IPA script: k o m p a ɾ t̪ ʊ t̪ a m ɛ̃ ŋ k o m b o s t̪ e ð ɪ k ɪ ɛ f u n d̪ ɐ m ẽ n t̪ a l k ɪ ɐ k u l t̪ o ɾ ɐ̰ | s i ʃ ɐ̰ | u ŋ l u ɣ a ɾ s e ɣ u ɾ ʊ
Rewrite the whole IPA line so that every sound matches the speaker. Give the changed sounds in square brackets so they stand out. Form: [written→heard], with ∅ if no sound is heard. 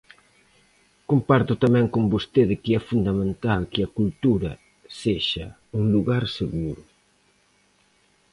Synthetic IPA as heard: k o m p a ɾ t̪ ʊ t̪ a m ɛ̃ ŋ k o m b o s t̪ e ð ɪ k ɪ ɛ f u n d̪ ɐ m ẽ n t̪ a l k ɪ ɐ k u l t̪ [o→u] ɾ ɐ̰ | s [i→e] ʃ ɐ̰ | u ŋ l u ɣ a ɾ s e ɣ u ɾ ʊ